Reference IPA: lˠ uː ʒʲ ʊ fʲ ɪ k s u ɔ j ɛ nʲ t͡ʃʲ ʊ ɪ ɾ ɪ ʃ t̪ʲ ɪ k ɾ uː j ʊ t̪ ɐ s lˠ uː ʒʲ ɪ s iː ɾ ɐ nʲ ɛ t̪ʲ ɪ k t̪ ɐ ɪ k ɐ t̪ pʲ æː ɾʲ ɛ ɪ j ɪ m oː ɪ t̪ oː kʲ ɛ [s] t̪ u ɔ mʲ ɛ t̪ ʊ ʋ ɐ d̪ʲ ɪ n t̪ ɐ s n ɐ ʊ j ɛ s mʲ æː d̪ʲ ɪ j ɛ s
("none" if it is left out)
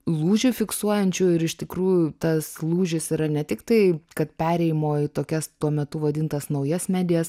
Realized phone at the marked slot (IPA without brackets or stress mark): s